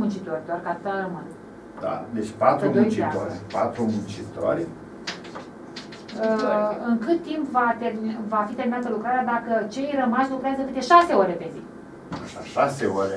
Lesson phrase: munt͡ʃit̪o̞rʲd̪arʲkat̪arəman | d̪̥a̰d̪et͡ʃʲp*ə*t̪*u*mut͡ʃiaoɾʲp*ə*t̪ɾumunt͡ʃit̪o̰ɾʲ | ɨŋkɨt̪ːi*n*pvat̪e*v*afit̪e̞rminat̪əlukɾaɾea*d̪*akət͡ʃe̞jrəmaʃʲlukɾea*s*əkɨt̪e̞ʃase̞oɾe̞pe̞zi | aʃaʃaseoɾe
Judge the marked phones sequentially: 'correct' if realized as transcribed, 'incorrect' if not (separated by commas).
incorrect, correct, incorrect, incorrect, correct, correct, incorrect